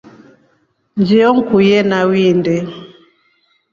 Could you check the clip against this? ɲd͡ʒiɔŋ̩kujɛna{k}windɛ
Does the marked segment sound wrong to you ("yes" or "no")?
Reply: yes